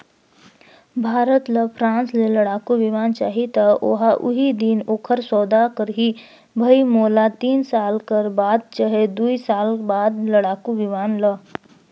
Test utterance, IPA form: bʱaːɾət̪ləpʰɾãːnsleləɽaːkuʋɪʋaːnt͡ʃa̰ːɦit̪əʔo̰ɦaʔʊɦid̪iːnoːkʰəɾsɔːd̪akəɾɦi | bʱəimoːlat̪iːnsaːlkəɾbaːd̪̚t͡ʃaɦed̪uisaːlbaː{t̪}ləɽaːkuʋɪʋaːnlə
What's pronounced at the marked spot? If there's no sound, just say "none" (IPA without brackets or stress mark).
d̪